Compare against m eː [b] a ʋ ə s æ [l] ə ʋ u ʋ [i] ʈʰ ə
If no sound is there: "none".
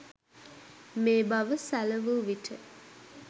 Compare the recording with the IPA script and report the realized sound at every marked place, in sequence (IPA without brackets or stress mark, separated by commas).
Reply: b, l, i